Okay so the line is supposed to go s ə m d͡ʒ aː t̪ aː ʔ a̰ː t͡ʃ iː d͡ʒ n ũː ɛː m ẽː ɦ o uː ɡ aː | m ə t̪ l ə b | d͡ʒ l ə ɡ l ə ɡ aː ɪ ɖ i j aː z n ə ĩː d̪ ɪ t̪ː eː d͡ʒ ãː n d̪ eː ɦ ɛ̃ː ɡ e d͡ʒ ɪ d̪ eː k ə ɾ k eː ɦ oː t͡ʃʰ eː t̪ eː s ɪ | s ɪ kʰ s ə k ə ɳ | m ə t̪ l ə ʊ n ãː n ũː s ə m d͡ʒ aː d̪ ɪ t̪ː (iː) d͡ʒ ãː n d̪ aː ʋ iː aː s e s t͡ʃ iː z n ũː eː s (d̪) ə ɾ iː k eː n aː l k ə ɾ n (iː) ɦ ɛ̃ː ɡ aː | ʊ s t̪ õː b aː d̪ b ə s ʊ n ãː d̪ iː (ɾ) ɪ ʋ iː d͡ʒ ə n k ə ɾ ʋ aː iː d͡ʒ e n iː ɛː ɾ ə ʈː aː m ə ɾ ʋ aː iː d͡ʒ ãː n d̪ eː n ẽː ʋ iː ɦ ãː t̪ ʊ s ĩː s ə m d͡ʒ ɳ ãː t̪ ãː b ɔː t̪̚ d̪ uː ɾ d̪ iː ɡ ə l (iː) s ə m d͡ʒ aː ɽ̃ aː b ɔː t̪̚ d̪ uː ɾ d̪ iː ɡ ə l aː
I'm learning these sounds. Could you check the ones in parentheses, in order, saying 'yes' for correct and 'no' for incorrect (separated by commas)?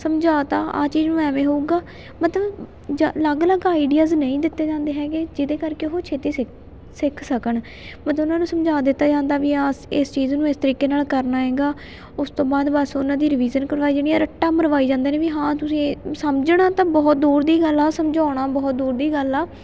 no, no, no, yes, no